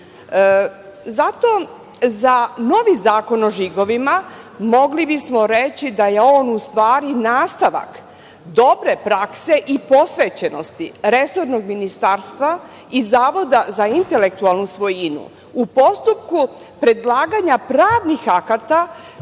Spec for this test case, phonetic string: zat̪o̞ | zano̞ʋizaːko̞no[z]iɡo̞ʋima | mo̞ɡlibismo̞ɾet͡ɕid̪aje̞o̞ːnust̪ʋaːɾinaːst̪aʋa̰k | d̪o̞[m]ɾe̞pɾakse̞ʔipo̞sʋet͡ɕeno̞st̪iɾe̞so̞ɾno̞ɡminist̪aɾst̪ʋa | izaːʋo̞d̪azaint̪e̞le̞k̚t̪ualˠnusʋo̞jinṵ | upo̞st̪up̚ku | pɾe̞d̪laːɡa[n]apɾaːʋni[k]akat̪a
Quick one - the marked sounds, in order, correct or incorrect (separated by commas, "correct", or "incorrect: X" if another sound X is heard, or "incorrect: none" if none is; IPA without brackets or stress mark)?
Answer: incorrect: ʒ, incorrect: b, incorrect: ɲ, incorrect: x